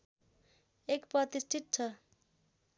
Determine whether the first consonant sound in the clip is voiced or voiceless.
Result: voiceless